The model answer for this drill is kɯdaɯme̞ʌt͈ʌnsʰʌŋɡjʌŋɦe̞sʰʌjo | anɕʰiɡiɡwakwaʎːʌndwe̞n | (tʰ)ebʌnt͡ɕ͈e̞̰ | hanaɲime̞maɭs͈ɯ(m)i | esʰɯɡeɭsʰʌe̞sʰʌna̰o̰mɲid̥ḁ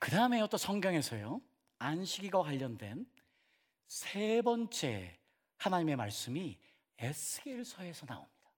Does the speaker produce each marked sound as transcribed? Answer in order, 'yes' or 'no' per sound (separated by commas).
no, yes